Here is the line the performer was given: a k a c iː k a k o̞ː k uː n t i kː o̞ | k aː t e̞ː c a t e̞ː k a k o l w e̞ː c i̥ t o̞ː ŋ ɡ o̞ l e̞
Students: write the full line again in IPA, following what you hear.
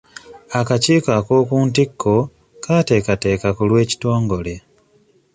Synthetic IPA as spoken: a k a c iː k a k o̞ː k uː n t i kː o̞ | k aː t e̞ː k a t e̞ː k a k u l w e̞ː c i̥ t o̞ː ŋ ɡ o̞ l e̞